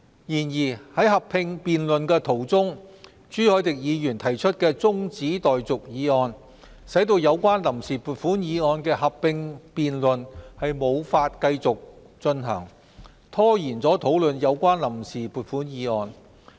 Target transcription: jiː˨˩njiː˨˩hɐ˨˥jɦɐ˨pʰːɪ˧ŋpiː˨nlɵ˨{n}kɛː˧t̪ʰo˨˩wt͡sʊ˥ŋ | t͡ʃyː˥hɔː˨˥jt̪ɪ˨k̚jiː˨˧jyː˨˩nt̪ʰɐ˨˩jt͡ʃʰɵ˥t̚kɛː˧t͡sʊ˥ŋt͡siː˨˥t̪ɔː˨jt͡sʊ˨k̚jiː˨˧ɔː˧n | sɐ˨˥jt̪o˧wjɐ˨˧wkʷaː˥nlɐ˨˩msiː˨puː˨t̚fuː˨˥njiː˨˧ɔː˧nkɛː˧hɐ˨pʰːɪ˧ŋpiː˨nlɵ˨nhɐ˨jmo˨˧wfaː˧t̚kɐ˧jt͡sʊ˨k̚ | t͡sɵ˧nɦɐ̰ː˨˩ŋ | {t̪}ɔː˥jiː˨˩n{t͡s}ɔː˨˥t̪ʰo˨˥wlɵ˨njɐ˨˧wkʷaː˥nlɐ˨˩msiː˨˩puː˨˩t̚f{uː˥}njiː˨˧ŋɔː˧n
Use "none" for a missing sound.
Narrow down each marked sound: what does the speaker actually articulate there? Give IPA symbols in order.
n, t̪ʰ, t͡s, uː˨˥

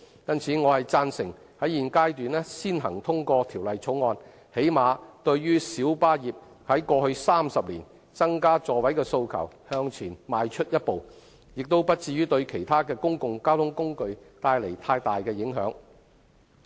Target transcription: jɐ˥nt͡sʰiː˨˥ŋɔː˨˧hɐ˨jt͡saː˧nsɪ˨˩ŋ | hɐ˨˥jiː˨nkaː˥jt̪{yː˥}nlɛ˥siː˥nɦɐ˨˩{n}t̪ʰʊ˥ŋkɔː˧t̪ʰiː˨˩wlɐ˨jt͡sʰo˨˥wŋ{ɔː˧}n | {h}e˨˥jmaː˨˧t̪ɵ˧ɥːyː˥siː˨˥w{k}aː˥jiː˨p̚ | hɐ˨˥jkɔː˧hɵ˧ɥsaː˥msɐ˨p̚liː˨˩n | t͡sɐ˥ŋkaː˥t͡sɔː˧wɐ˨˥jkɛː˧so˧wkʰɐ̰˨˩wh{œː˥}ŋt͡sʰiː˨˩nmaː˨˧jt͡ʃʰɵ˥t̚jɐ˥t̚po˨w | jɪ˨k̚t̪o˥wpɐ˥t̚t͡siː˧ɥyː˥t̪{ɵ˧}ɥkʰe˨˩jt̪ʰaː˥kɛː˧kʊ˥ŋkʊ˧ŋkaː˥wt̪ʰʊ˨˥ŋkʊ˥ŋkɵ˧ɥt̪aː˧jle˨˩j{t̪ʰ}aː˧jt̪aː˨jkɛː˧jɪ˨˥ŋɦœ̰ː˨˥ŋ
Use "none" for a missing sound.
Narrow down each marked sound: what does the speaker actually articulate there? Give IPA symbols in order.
yː˨, ŋ, ɔː˧, h, p, œː˧, ɵ˧, t̪ʰ

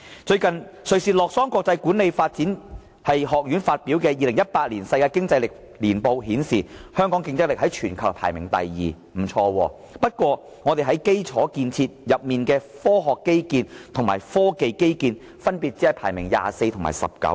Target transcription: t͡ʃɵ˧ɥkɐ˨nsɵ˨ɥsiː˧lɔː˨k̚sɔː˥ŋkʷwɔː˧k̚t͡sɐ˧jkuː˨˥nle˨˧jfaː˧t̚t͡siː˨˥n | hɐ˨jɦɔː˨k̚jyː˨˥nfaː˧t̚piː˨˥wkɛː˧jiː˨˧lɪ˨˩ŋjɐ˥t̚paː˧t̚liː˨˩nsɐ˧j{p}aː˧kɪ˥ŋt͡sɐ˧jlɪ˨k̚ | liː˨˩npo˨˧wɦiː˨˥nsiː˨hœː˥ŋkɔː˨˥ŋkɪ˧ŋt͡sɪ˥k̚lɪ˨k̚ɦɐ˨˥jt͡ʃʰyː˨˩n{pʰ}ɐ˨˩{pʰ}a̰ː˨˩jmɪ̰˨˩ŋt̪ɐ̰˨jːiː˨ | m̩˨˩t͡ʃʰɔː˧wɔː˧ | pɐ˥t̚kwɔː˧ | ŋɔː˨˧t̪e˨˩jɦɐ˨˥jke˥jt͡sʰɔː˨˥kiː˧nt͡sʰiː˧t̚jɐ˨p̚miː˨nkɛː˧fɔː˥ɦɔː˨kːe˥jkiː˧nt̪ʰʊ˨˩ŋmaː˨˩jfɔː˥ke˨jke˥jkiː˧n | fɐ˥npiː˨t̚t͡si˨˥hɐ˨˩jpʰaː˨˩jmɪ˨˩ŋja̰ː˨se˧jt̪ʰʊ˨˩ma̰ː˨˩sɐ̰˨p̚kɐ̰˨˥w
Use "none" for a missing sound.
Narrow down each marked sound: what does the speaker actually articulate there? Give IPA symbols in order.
k, kʰ, pʰ

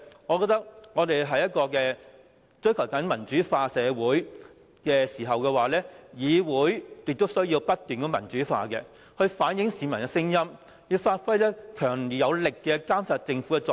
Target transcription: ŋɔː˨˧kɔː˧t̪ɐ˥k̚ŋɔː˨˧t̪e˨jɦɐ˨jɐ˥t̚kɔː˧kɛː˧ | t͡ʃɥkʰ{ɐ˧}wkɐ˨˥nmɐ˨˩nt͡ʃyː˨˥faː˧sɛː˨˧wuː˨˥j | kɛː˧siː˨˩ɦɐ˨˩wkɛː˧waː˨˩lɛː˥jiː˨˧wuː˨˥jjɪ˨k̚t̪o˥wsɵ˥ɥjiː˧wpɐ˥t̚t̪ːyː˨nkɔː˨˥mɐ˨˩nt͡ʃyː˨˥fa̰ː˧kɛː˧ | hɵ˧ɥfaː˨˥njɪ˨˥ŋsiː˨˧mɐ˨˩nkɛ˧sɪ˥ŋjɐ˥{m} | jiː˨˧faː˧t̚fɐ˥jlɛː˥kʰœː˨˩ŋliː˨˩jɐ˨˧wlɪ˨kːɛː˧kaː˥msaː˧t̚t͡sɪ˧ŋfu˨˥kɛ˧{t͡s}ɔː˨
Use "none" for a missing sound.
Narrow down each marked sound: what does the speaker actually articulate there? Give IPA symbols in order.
ɐ˨˩, m, t͡s

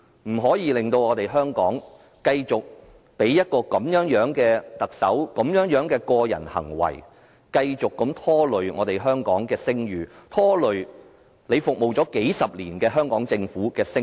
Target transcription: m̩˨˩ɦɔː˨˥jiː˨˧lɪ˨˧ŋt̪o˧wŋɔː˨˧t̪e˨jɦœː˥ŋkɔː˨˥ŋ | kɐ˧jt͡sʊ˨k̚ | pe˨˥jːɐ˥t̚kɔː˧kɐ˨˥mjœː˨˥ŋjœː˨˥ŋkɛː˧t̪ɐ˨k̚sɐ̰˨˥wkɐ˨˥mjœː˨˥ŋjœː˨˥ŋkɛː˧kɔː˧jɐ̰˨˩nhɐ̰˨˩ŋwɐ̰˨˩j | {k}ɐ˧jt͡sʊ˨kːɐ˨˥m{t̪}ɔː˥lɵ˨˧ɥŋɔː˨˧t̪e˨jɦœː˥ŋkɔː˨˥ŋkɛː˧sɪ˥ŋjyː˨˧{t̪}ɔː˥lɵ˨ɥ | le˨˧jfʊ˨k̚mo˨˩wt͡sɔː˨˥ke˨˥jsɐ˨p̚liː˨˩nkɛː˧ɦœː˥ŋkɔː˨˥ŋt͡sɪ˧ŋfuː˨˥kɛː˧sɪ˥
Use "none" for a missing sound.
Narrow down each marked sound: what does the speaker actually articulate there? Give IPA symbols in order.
k, t̪ʰ, t̪ʰ

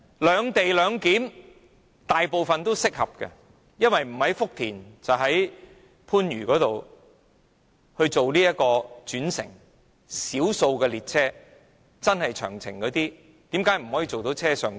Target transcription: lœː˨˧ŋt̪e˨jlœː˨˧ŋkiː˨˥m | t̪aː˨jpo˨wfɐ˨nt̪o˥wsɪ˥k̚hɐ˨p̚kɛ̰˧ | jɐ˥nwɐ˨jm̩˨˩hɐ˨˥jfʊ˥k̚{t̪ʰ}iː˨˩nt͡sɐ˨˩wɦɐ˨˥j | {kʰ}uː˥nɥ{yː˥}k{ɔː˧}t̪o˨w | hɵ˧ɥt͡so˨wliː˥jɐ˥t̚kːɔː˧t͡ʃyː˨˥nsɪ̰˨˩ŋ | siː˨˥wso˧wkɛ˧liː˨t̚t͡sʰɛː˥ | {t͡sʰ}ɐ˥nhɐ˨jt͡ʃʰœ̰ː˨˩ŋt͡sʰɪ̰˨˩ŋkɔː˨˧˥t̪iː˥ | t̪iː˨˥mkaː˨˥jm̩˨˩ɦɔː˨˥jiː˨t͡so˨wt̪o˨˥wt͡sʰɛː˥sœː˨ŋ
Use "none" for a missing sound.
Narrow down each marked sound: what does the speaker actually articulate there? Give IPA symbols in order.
t̪ʰ, pʰ, yː˨˩, ɔː˨˥, t͡s

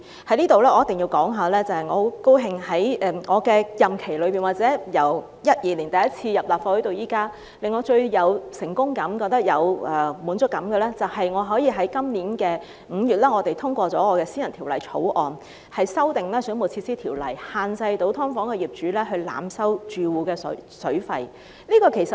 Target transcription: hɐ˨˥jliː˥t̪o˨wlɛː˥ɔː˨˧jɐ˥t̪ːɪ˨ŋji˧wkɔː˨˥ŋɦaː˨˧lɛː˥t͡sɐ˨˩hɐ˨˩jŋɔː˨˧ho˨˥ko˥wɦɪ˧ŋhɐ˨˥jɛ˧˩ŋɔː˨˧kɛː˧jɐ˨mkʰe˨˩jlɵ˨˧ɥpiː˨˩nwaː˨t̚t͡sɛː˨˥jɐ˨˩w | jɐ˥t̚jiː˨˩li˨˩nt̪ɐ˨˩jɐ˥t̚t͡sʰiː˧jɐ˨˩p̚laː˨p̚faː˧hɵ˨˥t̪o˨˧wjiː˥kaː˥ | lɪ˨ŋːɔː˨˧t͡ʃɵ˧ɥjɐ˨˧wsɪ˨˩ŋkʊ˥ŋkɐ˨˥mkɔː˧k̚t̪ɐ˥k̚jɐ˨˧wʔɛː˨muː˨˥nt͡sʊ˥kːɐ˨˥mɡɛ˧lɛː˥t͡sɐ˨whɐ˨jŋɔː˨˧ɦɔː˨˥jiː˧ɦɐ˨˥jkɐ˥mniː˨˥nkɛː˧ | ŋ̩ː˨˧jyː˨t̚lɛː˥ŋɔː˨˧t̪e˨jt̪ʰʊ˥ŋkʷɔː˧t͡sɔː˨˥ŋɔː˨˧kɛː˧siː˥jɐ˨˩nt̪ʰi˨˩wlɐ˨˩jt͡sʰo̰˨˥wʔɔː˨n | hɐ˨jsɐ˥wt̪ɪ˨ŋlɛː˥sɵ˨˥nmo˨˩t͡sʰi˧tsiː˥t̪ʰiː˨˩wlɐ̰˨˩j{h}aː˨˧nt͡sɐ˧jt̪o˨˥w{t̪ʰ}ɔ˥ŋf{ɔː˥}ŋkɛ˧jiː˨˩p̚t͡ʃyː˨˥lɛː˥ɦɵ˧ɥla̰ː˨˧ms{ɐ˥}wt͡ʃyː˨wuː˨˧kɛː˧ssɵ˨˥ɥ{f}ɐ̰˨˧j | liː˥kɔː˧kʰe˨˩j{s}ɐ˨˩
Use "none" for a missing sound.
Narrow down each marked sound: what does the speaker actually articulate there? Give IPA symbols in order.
h, t̪ʰ, ɔː˨˥, ɐ˥, f, s

